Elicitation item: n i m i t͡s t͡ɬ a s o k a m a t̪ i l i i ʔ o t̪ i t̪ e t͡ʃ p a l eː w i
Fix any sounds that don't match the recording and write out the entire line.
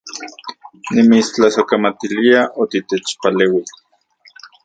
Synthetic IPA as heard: n i m i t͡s t͡ɬ a s o k a m a t̪ i l i a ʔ o t̪ i t̪ e t͡ʃ p a l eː w i